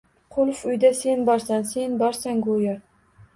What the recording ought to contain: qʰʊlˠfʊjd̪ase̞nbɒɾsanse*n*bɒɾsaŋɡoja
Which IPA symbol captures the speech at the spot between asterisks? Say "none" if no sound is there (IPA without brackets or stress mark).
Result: n